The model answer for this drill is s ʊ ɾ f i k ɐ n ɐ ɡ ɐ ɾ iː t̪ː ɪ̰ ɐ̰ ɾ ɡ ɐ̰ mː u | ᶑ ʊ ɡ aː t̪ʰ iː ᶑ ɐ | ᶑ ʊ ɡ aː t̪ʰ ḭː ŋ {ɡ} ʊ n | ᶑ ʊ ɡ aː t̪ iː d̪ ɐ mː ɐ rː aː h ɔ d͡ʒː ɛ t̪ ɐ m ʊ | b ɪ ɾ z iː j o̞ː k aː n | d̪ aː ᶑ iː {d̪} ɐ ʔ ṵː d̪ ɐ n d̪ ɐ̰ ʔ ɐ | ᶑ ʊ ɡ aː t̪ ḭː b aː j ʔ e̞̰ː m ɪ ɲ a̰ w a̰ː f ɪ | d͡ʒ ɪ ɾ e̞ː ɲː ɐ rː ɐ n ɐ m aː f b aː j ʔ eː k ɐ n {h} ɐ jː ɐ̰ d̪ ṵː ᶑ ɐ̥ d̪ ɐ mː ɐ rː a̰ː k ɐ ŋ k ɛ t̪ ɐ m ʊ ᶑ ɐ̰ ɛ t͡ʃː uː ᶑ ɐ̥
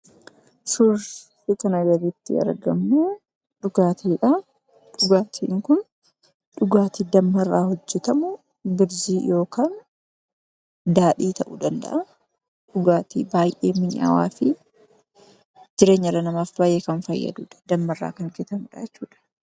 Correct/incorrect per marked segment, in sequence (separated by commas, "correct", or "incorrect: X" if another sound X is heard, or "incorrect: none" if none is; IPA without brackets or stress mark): incorrect: k, incorrect: t̪, incorrect: f